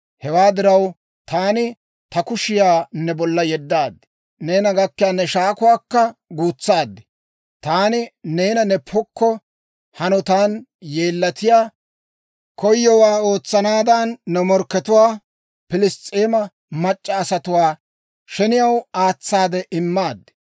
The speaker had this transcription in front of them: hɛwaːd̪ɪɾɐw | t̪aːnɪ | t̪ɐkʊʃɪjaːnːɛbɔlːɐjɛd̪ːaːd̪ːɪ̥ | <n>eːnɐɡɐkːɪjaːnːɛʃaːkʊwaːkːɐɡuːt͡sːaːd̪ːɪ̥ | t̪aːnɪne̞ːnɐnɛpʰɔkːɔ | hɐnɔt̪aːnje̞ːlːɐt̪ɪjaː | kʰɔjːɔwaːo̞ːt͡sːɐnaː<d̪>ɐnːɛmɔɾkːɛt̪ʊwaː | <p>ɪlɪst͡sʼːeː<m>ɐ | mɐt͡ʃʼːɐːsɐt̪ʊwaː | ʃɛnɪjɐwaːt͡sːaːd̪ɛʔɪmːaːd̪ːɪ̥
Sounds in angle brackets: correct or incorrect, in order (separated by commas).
correct, correct, correct, correct